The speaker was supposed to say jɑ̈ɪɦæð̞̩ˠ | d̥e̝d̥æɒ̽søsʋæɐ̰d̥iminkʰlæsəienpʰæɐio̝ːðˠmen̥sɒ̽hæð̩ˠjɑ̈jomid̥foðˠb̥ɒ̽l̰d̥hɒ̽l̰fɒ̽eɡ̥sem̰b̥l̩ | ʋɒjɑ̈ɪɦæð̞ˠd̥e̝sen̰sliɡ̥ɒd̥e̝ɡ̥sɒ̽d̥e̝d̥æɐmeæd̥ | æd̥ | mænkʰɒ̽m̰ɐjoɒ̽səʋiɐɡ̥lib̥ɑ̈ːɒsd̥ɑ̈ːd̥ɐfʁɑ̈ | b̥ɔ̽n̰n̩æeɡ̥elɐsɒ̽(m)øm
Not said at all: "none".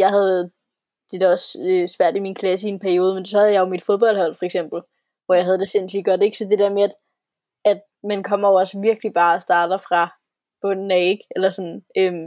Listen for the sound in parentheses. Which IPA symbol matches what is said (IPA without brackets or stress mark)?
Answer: n